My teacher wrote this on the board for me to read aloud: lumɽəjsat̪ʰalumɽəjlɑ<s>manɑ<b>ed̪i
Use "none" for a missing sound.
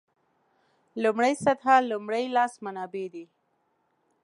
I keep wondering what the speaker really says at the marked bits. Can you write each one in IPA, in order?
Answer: s, b

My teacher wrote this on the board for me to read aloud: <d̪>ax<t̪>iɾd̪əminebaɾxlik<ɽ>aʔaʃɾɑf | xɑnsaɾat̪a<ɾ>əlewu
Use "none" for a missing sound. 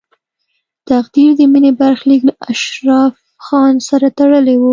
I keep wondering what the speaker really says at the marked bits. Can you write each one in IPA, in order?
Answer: t̪, d̪, l, ɽ

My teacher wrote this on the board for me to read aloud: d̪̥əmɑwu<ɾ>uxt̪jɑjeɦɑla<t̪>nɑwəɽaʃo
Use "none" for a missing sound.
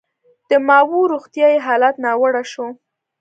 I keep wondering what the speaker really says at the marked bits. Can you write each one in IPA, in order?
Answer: ɾ, t̪

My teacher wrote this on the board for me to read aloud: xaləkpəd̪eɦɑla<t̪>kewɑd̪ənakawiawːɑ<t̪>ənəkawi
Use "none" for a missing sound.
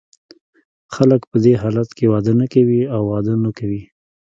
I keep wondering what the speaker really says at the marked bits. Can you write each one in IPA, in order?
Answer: t̪, d̪

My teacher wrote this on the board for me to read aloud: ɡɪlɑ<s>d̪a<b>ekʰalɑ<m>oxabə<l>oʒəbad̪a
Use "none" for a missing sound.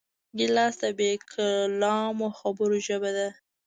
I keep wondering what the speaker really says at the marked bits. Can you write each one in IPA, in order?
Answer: s, b, m, ɾ

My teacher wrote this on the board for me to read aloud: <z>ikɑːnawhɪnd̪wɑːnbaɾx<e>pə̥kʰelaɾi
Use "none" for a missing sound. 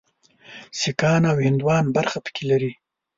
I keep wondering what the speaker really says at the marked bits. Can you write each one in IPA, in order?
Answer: s, a

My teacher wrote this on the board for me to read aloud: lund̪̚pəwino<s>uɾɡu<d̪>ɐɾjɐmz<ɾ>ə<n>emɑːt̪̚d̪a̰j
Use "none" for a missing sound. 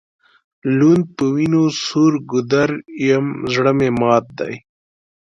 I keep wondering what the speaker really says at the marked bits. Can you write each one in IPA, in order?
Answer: s, d̪, ɽ, m

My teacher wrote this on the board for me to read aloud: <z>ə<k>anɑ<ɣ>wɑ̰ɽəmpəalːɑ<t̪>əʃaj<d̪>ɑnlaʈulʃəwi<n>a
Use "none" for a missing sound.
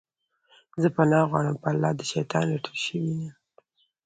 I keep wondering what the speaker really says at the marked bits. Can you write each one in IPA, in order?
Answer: z, p, ɣ, d̪, t̪, n

